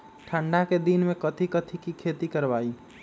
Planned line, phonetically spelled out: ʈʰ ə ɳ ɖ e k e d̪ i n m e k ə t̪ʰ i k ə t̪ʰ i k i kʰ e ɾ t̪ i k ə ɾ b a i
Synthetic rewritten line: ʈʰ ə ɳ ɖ a k e d̪ i n m e k ə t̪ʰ i k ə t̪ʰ i k i kʰ e t̪ i k ə ɾ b a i

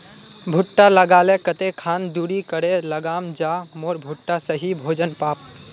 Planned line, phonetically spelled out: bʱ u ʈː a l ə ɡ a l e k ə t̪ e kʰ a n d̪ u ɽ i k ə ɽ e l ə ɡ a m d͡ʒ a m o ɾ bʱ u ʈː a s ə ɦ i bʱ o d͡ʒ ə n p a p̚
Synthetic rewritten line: bʱ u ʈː a l ə ɡ a l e k ə t̪ e kʰ a n d̪ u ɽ i k ə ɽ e l ə ɡ a m d͡ʒ a m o ɾ bʱ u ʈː a s ə ɦ i bʱ o d͡ʒ ə n p a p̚

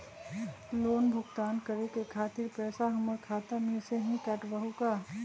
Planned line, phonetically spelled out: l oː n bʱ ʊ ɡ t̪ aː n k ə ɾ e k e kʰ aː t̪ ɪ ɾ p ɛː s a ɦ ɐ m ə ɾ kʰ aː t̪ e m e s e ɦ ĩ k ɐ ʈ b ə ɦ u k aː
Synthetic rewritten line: l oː n bʱ ʊ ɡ t̪ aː n k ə ɾ e k e kʰ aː t̪ ɪ ɾ p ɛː s a ɦ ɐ m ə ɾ kʰ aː t̪ a m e s e ɦ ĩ k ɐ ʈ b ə ɦ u k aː

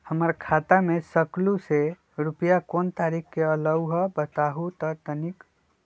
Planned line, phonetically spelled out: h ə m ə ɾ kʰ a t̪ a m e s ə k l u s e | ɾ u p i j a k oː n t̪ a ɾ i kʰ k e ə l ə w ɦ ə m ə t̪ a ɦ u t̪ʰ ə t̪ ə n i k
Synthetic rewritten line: h ə m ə ɾ kʰ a t̪ a m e s ə k l u s e | ɾ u p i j a k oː n t̪ a ɾ i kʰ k e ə l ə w ɦ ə b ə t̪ a ɦ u t̪ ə t̪ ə n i k

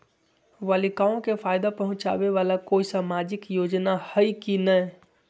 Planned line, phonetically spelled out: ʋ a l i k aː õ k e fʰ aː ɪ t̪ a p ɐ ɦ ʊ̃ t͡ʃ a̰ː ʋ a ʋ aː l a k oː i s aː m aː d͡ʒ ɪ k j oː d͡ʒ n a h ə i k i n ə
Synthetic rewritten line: ʋ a l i k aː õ k e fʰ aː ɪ d̪ a p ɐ ɦ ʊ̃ t͡ʃ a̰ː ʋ e ʋ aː l a k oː i s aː m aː d͡ʒ ɪ k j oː d͡ʒ n a h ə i k i n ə

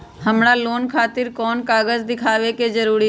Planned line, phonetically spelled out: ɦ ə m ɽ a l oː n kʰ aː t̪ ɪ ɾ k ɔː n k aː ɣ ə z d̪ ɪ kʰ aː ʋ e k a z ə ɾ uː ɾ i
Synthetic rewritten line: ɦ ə m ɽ a l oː n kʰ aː t̪ ɪ ɾ k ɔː n k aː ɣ ə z d̪ ɪ kʰ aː ʋ e k e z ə ɾ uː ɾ i

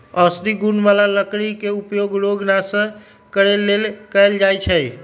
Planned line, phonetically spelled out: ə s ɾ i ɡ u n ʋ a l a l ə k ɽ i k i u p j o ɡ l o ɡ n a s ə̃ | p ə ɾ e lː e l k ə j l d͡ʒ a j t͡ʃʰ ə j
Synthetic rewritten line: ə s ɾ i ɡ u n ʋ a l a l ə k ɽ i k e u p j o ɡ ɾ o ɡ n a s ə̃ | k ə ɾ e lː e l k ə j l d͡ʒ a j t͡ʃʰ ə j

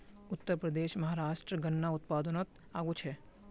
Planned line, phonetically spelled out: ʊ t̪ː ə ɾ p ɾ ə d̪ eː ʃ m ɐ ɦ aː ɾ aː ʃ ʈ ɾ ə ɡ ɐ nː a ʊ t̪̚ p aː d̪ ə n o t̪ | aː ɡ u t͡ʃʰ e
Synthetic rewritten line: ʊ t̪ː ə ɾ p ɾ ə d̪ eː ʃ m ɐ ɦ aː ɾ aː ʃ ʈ ɾ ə ɡ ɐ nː a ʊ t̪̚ p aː d̪ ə n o t̪ | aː ɡ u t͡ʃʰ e

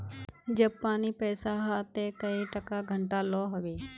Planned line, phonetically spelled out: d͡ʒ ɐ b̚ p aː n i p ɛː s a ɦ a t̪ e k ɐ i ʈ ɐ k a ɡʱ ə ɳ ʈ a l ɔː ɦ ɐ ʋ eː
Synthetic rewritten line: d͡ʒ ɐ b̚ p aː n i p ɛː s a ɦ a t̪ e k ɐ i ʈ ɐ k a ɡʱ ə ɳ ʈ a l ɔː ɦ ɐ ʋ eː

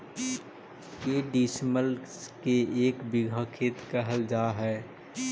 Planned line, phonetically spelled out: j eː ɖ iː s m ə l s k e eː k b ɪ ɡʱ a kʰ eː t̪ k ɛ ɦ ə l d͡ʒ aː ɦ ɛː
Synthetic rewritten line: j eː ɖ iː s m ə l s k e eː k b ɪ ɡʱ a kʰ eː t̪ k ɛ ɦ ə l d͡ʒ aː ɦ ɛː

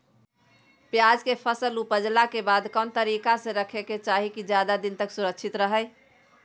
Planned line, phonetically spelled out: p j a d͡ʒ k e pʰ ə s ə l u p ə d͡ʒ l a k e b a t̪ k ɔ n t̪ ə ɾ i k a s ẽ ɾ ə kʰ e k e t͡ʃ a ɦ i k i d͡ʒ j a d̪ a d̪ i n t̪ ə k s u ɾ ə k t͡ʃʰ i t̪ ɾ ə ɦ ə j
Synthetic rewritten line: p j a d͡ʒ k e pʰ ə s ə l u p ə d͡ʒ l a k e b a d̪ k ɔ n t̪ ə ɾ i k a s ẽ ɾ ə kʰ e k e t͡ʃ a ɦ i k i d͡ʒ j a d̪ a d̪ i n t̪ ə k s u ɾ ə k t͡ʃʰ i t̪ ɾ ə ɦ ə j

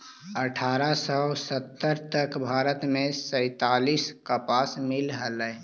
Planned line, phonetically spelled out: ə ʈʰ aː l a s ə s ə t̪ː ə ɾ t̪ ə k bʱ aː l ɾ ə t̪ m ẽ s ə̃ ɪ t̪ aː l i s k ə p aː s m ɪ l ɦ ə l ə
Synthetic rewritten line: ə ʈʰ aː ɾ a s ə s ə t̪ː ə ɾ t̪ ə k bʱ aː ɾ ə t̪ m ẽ s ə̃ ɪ t̪ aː l i s k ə p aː s m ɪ l ɦ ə l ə

